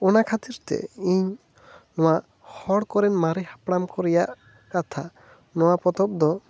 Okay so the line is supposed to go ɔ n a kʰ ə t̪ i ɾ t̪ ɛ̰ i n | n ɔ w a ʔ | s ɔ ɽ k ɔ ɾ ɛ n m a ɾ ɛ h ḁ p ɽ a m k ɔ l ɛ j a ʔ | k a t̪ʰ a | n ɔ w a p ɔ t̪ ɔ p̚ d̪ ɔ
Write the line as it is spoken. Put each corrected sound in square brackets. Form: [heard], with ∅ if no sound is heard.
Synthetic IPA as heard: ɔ n a kʰ [a] t̪ i ɾ t̪ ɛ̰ i [ɲ] | n ɔ w a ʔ | [h] ɔ ɽ k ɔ ɾ ɛ n m a ɾ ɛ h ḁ p ɽ a m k ɔ [ɾ] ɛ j a ʔ | k a t̪ʰ a | n ɔ w a p ɔ t̪ ɔ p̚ d̪ ɔ